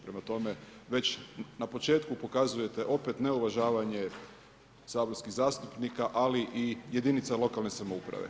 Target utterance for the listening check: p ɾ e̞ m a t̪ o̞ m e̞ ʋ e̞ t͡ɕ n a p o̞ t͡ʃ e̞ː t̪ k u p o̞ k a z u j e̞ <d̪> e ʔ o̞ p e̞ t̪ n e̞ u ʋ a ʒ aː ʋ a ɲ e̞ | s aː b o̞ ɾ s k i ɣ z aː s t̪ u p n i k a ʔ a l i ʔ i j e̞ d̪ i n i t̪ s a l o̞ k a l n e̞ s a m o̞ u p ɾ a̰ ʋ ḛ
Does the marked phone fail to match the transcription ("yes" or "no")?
yes